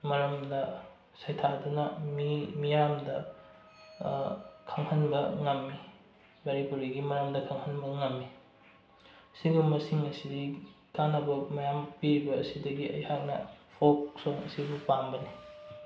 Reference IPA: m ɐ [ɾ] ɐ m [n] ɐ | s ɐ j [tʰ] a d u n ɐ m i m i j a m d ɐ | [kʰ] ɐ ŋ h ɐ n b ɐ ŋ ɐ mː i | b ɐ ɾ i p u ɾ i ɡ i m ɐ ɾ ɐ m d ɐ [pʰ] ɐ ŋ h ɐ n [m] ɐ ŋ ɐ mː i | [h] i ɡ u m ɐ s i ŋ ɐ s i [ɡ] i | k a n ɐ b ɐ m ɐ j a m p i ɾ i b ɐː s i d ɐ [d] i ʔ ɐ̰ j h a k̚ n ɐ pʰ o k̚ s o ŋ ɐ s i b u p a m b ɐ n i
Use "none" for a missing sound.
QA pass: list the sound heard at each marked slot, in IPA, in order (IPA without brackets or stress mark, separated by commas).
ɾ, d, tʰ, kʰ, kʰ, b, s, d, ɡ